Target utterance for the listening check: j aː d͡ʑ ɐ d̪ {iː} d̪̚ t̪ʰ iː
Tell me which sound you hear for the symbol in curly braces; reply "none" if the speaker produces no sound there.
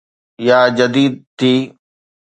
iː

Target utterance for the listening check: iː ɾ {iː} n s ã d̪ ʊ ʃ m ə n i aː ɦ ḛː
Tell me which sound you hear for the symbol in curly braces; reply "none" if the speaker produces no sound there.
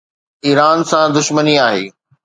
aː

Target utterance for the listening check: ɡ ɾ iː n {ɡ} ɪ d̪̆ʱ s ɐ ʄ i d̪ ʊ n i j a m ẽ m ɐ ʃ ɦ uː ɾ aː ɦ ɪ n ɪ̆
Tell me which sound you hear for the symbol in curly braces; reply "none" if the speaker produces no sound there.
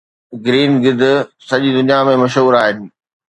ɡ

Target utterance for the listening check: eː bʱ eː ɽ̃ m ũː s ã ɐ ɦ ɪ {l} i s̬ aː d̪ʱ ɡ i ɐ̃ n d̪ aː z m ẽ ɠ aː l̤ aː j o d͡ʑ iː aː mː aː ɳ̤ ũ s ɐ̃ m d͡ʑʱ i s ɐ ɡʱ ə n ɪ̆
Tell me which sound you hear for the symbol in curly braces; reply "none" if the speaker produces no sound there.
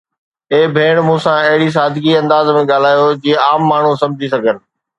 ɽ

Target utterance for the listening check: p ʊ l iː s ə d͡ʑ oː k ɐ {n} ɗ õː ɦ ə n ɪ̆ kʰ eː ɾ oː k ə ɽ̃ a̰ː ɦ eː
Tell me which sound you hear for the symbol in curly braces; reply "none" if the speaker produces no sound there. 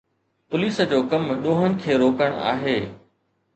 m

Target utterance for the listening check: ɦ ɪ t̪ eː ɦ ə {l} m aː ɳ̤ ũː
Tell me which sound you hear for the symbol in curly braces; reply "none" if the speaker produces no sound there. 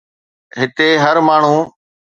ɾ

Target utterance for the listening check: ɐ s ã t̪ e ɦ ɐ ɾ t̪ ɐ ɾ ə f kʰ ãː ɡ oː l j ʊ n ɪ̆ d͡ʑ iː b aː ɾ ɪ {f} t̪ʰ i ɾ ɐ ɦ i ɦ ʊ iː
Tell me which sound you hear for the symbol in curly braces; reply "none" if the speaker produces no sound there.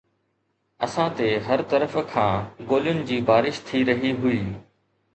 ʃ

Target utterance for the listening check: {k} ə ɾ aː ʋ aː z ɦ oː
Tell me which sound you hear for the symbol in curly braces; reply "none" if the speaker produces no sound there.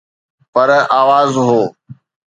p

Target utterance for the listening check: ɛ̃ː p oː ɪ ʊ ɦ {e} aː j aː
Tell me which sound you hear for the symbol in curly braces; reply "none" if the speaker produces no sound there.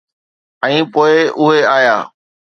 e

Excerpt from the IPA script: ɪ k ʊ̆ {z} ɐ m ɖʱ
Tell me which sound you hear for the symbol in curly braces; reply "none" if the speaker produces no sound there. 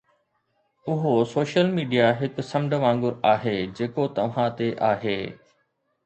s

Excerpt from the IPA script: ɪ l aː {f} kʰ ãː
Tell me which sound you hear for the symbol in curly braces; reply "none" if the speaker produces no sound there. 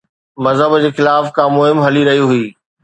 f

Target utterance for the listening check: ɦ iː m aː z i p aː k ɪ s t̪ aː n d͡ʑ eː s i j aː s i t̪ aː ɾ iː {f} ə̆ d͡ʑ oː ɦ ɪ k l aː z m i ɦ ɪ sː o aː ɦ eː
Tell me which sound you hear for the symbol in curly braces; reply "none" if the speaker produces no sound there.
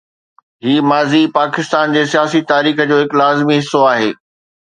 x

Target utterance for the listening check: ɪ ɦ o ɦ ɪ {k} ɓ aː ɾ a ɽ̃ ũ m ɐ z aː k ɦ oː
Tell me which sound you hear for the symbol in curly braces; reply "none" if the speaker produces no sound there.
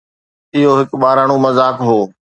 k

